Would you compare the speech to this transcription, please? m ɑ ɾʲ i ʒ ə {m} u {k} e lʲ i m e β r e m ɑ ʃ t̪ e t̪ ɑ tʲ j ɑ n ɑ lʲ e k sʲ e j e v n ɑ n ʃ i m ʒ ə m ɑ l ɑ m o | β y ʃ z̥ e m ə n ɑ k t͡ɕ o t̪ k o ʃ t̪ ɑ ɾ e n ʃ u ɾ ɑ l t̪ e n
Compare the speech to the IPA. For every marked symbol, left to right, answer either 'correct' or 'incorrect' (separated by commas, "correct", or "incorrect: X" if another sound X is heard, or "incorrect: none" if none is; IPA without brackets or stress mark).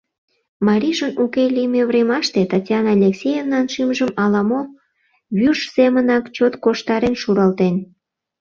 incorrect: n, correct